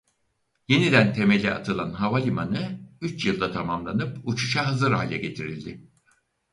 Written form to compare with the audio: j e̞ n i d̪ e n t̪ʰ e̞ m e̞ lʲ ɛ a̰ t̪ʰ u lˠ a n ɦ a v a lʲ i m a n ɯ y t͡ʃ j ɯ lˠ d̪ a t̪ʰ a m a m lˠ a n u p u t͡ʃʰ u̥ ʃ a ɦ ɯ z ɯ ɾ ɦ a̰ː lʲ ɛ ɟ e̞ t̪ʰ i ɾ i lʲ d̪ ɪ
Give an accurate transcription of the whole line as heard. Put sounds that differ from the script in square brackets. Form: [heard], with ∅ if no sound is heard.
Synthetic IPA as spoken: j e̞ n i d̪ [æ] n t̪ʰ e̞ m e̞ lʲ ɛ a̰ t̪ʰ [ɯ] lˠ a n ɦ a v a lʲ i m a n ɯ y t͡ʃ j ɯ lˠ d̪ a t̪ʰ a m a m lˠ a n [ɯ] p u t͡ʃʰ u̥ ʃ a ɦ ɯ z ɯ ɾ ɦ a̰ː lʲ ɛ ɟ e̞ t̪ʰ i ɾ i lʲ d̪ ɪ